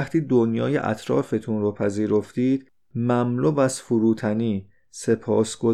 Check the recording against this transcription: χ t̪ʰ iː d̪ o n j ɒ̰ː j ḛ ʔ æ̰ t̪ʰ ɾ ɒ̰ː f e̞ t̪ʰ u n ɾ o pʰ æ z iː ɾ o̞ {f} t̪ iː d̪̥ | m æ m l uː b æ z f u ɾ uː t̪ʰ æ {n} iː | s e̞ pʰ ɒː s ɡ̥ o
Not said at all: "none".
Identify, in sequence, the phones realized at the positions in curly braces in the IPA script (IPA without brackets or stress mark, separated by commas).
f, n